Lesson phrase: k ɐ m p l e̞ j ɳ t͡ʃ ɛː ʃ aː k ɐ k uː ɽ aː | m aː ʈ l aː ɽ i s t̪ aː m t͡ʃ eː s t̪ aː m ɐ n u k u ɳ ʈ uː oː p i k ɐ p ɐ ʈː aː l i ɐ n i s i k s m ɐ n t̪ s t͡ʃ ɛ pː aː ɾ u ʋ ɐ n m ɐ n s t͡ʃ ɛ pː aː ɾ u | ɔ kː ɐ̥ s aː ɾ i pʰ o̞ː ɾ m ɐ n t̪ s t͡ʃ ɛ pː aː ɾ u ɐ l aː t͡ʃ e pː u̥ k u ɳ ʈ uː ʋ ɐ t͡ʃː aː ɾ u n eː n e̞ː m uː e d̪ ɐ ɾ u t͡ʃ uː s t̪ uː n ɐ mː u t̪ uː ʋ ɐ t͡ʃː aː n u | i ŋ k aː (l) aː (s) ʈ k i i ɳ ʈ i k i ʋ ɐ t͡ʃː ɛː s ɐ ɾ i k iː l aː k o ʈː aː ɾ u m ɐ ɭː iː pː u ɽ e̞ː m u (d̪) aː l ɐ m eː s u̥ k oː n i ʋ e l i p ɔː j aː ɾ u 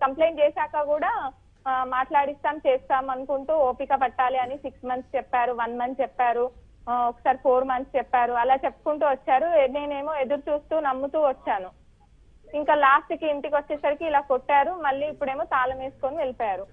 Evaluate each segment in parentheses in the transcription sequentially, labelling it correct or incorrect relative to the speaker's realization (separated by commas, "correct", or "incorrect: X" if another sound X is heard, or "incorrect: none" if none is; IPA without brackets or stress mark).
correct, correct, incorrect: t̪